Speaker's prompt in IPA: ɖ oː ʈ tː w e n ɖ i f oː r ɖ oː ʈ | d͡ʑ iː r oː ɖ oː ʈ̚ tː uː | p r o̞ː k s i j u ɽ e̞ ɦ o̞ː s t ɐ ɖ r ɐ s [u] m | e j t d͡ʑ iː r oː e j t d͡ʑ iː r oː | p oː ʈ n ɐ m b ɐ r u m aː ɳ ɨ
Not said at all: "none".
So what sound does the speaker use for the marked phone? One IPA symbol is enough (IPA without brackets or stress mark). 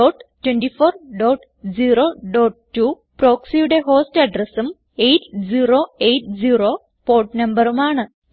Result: u